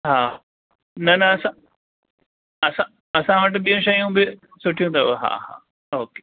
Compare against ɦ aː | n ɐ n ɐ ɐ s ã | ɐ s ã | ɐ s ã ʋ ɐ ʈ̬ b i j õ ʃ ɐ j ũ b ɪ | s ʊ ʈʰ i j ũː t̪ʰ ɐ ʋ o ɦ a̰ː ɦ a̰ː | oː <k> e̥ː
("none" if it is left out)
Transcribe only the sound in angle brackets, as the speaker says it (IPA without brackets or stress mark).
k